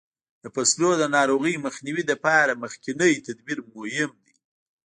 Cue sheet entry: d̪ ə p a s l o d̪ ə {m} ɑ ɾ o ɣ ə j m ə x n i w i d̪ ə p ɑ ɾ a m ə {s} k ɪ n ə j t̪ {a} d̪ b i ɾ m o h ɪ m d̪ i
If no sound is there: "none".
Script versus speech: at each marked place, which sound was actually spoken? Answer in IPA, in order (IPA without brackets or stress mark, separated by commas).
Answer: n, x, a